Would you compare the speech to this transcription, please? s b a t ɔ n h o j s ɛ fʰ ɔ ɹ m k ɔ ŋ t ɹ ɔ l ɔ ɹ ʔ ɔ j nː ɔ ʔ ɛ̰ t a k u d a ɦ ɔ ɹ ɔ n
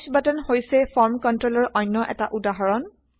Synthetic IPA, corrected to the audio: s b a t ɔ n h o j s ɛ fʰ ɔ ɹ m k ɔ n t ɹ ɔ l ɔ ɹ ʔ ɔ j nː ɔ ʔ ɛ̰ t a ʔ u d a ɦ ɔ ɹ ɔ n

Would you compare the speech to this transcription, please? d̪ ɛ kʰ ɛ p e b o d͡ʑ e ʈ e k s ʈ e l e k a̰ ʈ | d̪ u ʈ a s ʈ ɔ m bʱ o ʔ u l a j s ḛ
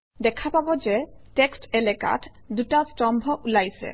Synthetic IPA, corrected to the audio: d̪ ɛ kʰ a p a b o d͡ʑ e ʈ e k s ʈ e l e k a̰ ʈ | d̪ u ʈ a s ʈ ɔ m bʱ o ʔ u l a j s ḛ

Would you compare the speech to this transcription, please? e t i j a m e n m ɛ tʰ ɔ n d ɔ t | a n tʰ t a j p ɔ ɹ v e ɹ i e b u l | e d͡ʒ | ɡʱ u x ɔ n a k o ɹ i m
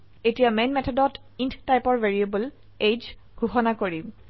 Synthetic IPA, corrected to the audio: e t i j a m e n m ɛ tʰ ɔ d ɔ t | i n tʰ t a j p ɔ ɹ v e ɹ i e b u l | e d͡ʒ | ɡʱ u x ɔ n a k o ɹ i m

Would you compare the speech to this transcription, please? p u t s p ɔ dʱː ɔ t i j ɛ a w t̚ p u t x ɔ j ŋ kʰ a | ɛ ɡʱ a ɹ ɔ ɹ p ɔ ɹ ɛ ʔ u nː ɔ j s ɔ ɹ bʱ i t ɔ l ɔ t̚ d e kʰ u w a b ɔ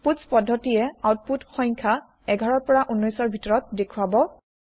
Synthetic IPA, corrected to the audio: p u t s p ɔ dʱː ɔ t i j ɛ a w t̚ p u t x ɔ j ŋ kʰ a | ɛ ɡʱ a ɹ ɔ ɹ p ɔ ɹ a ʔ u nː ɔ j s ɔ ɹ bʱ i t ɔ ɹ ɔ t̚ d e kʰ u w a b ɔ

